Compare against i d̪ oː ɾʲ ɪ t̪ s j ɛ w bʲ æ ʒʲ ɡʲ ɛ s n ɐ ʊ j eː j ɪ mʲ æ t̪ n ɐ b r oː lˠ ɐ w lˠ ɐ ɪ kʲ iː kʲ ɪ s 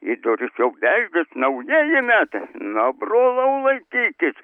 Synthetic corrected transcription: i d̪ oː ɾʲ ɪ s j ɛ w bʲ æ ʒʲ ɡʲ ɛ s n ɐ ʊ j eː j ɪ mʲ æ t̪ n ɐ b r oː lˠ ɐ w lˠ ɐ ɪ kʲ iː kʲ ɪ s